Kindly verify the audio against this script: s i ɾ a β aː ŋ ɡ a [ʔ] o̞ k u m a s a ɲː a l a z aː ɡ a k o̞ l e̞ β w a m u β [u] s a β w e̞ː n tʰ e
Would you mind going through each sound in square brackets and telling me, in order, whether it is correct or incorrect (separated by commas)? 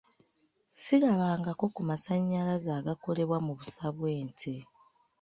incorrect, correct